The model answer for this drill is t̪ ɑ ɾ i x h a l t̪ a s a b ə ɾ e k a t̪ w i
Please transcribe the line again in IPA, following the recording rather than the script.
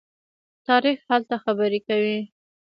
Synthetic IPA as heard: t̪ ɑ ɾ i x h a l t̪ a x a b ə ɾ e k a w i